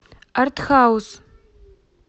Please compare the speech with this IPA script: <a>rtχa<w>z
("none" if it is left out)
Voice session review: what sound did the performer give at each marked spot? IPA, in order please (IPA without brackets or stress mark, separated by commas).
a, w